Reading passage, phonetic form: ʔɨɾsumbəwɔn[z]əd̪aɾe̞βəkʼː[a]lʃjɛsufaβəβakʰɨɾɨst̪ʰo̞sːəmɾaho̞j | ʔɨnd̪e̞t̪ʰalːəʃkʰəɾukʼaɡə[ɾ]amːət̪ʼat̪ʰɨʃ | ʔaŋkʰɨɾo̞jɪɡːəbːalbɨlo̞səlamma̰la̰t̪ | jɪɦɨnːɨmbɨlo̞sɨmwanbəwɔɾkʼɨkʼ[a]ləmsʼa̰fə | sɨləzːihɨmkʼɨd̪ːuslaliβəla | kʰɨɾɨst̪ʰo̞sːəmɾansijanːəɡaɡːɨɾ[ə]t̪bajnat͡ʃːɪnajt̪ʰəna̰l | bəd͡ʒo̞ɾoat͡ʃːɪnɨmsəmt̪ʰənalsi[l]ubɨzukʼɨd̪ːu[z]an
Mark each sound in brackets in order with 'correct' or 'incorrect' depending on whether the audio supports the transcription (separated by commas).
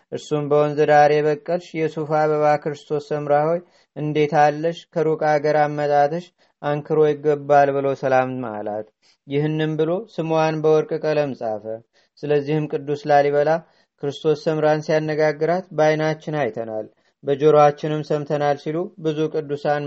correct, incorrect, correct, incorrect, incorrect, correct, incorrect